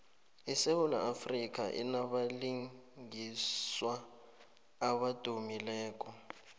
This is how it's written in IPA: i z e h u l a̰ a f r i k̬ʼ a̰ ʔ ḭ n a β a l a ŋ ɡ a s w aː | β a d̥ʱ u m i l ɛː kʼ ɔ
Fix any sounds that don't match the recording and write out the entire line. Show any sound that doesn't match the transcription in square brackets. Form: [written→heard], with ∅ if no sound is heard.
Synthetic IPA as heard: i [z→s] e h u l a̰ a f r i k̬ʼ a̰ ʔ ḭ n a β a l [a→i] ŋ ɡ [a→i] s w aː | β a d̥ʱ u m i l ɛː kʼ ɔ